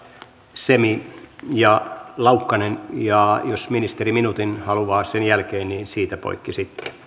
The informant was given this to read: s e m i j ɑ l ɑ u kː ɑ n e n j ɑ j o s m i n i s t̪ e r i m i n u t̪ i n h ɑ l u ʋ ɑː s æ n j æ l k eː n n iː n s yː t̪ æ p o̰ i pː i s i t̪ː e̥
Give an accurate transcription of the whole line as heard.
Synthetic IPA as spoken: s e m i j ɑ l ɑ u kː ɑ n e n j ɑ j o s m i n i s t̪ e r i m i n u t̪ i n h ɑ l u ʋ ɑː s e n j æ l k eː n n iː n s iː t̪ æ p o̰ i kː i s i t̪ː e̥